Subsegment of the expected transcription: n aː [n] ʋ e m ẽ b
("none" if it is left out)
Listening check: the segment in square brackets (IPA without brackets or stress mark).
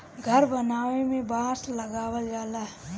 none